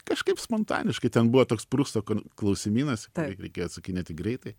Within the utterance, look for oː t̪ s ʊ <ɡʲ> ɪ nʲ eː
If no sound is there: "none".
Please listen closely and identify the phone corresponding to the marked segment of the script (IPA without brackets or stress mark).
kʲ